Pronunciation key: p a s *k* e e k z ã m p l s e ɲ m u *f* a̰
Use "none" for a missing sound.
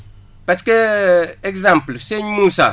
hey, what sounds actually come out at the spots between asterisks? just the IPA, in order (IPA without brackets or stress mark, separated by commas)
k, s